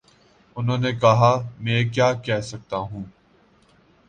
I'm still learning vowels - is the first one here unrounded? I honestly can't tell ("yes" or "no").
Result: no